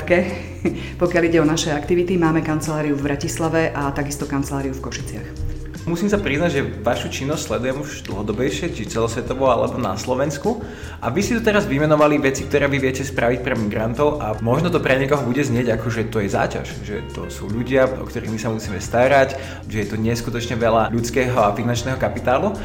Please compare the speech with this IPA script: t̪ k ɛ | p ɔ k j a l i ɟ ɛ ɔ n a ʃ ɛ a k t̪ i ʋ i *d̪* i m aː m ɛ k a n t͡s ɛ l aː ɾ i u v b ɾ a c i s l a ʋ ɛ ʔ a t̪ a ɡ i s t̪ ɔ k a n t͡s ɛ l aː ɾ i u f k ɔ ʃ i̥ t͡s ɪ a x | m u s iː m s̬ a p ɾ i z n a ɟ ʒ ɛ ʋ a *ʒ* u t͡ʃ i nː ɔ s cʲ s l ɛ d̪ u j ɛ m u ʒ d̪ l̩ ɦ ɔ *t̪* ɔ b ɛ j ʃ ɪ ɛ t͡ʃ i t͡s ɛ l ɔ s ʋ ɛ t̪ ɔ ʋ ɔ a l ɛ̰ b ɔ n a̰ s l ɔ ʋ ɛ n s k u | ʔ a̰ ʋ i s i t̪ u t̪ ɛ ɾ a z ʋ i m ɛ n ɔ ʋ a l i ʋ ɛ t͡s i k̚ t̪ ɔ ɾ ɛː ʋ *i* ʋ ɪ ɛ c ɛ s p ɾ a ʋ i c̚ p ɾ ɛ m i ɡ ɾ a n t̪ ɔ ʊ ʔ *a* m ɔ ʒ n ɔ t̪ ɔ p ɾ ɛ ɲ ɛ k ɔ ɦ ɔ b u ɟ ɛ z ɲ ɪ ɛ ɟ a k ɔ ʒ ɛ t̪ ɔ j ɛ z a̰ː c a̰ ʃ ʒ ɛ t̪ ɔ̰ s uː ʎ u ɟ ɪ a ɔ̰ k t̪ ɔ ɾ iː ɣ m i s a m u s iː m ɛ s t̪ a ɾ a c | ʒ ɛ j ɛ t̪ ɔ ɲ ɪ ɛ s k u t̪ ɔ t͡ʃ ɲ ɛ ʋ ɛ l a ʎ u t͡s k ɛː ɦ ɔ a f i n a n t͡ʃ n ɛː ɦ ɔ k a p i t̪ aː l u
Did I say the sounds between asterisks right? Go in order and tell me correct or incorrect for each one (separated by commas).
incorrect, incorrect, incorrect, correct, correct